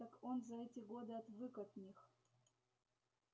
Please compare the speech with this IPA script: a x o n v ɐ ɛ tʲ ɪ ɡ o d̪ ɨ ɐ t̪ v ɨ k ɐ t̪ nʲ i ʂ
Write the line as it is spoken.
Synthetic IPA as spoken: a k o n z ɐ ɛ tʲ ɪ ɡ o d̪ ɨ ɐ t̪ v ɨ k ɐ t̪ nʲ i x